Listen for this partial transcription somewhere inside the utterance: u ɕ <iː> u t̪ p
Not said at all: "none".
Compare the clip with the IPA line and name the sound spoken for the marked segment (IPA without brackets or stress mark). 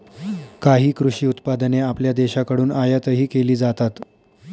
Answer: iː